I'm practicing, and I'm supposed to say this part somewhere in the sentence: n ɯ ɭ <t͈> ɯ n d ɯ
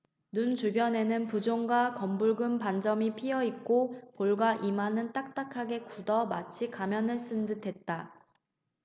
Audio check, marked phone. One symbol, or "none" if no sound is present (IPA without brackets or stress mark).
s͈